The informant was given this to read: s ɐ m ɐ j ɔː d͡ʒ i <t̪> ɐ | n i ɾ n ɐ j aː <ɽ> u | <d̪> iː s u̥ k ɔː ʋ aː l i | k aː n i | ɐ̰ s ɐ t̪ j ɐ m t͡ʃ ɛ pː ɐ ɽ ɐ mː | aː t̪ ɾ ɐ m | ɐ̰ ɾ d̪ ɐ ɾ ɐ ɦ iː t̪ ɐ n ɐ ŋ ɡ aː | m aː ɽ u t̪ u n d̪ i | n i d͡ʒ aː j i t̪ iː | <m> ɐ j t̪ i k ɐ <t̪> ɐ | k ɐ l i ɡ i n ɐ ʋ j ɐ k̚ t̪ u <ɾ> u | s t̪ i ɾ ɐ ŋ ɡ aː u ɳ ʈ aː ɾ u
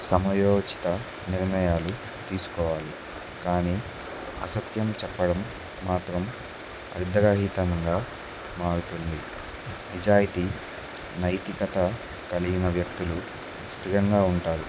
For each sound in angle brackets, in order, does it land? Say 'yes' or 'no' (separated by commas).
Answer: yes, no, no, no, yes, no